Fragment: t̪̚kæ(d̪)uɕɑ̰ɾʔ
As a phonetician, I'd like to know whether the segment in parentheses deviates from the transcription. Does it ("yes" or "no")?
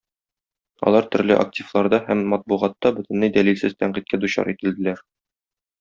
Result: no